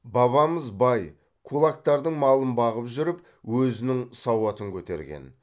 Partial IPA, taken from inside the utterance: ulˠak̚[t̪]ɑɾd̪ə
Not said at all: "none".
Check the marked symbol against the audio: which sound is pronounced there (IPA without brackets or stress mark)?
t̪